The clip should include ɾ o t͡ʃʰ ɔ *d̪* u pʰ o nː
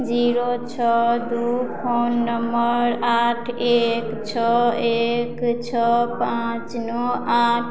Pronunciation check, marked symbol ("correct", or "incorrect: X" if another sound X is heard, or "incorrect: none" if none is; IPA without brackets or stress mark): correct